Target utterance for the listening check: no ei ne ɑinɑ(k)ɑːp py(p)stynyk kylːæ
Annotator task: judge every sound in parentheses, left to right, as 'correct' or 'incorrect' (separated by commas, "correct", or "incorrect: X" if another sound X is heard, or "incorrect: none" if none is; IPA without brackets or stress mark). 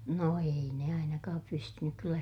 correct, incorrect: none